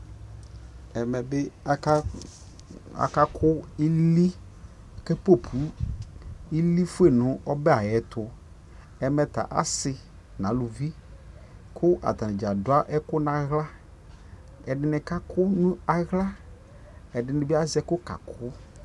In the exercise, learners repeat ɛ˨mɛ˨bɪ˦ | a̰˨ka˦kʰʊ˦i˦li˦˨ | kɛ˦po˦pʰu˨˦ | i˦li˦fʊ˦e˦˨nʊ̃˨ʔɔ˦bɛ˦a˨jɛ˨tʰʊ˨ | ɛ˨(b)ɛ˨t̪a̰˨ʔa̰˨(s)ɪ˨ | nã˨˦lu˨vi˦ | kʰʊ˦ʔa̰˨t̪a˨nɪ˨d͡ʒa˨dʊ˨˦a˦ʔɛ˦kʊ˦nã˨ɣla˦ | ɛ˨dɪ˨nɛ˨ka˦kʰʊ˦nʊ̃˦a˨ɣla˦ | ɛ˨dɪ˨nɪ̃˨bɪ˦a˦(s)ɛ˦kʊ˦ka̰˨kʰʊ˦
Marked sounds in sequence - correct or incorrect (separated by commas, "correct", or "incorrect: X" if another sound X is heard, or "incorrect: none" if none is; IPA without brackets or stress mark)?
incorrect: m, correct, incorrect: z